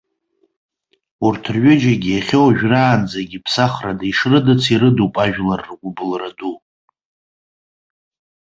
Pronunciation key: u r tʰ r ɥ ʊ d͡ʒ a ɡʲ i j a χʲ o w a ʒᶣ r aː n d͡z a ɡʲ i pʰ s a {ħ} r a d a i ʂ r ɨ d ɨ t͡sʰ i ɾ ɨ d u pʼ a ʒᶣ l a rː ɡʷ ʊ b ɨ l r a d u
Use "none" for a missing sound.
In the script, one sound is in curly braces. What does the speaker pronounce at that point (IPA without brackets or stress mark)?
χ